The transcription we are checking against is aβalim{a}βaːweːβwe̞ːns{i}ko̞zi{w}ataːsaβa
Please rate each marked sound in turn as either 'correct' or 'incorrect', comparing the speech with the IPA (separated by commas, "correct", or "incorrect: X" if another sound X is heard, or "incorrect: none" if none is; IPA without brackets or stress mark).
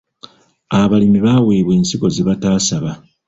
incorrect: i, correct, incorrect: β